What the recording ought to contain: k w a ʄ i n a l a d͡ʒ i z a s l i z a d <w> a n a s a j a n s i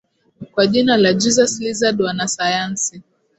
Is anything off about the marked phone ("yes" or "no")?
no